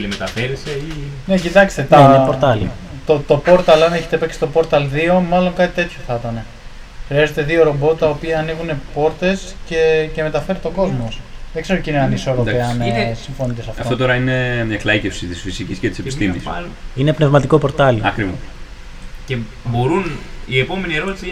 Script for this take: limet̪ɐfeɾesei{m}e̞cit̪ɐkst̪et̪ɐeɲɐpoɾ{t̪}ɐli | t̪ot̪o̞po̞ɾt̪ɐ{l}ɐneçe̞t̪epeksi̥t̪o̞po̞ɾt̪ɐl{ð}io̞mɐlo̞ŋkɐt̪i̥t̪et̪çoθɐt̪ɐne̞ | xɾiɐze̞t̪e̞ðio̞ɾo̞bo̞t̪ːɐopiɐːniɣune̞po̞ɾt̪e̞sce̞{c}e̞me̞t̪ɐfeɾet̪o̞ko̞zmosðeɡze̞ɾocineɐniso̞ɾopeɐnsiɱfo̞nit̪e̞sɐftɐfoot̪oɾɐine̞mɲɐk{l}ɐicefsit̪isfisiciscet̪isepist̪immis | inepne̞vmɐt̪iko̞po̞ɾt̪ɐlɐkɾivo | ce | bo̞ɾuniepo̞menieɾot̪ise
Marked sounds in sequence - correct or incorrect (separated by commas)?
incorrect, correct, correct, correct, correct, correct